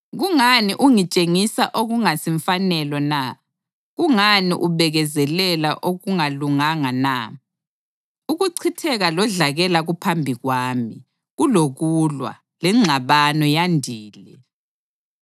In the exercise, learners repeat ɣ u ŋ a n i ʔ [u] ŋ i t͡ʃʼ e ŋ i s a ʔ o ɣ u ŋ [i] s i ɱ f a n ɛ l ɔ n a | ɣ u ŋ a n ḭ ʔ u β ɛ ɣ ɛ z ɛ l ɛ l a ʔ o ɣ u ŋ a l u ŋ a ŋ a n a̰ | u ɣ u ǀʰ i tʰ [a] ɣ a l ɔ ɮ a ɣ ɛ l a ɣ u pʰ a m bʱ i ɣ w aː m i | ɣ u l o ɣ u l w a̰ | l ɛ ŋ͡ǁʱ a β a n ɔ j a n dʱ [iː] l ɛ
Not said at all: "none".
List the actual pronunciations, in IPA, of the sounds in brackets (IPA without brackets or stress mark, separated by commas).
u, a, ɛ, iː